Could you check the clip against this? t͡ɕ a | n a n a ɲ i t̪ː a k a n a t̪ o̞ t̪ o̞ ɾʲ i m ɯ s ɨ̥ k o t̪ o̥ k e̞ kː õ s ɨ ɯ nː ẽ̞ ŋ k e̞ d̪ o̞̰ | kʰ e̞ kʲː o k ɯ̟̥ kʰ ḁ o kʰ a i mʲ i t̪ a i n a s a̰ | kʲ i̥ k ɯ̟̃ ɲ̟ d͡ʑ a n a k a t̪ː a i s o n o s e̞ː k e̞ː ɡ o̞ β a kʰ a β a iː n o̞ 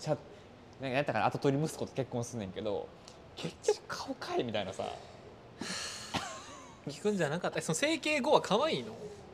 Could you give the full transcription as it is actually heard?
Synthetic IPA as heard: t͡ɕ a | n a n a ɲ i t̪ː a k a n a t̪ o̞ t̪ o̞ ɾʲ i m ɯ s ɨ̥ k o t̪ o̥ k e̞ kː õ s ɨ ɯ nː ẽ̞ ŋ k e̞ d̪ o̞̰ | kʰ e̞ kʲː o k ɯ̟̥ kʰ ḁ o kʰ a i mʲ i t̪ a i n a s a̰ | kʲ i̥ k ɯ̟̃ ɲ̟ d͡ʑ a n a k a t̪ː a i s o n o s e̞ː k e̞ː ɡ o̞ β a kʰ a β a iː n o̞